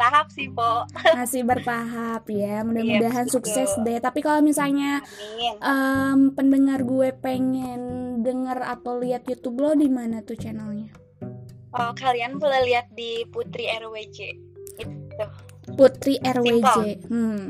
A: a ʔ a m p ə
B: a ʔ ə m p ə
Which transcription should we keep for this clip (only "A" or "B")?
B